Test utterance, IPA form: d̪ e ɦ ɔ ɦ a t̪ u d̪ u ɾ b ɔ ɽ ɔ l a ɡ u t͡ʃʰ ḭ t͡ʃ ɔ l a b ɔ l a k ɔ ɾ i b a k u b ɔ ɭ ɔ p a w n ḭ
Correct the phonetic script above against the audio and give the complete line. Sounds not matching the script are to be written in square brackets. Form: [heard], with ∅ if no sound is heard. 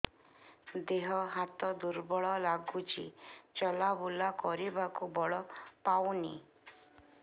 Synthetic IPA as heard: d̪ e ɦ ɔ ɦ a t̪ [ɔ] d̪ u ɾ b ɔ [ɭ] ɔ l a ɡ u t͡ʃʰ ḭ t͡ʃ ɔ l a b [u] l a k ɔ ɾ i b a k u b ɔ ɭ ɔ p a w n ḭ